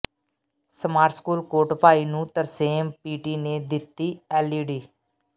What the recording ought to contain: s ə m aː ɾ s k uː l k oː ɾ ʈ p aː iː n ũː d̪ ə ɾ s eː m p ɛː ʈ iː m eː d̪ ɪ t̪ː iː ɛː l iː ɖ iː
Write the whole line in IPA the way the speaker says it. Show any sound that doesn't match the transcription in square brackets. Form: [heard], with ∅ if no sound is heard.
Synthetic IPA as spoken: s ə m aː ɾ s k uː l k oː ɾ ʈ p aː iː n ũː [t̪] ə ɾ s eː m p [iː] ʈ iː [n] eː d̪ ɪ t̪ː iː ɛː l iː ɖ iː